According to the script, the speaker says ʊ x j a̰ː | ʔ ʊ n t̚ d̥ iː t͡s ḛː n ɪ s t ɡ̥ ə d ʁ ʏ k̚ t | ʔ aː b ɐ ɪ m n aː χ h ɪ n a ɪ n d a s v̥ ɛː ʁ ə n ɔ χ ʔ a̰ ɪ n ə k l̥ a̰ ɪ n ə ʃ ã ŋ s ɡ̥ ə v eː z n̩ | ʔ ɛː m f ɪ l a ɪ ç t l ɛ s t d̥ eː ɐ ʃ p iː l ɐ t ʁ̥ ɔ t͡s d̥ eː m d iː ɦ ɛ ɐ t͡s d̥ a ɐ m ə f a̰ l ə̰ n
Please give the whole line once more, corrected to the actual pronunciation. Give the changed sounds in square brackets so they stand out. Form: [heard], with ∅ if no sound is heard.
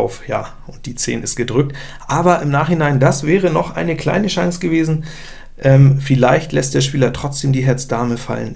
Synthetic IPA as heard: ʊ [f] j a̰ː | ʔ ʊ n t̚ d̥ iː t͡s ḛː n ɪ s t ɡ̥ ə d ʁ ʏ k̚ t | ʔ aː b ɐ ɪ m n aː χ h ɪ n a ɪ n d a s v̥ ɛː ʁ ə n ɔ χ ʔ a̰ ɪ n ə k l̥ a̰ ɪ n ə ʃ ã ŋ s ɡ̥ ə v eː z n̩ | ʔ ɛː m f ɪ l a ɪ ç t l ɛ s t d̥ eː ɐ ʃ p iː l ɐ t ʁ̥ ɔ t͡s d̥ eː m d iː ɦ ɛ ɐ t͡s d̥ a ɐ m ə f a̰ l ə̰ n